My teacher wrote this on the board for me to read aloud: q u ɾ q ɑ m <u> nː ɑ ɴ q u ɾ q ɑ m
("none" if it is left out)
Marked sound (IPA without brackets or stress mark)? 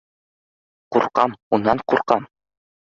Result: u